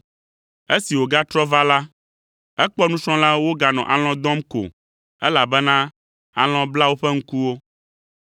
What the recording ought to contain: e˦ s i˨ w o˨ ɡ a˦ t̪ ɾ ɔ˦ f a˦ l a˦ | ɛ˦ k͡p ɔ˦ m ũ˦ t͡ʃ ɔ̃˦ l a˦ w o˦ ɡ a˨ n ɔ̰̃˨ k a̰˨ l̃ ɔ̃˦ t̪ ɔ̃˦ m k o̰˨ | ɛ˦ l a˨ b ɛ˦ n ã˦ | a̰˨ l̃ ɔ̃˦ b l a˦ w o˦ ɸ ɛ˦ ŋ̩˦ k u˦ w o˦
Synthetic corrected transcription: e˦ s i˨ w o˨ ɡ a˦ t̪ ɾ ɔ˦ v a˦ l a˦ | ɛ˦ k͡p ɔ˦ n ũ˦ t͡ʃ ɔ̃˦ l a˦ w o˦ ɡ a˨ n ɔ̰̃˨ ʔ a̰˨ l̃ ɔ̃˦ d̪ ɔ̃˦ m k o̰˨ | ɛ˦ l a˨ b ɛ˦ n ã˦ | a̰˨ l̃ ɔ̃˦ b l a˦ w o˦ ɸ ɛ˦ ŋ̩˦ k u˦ w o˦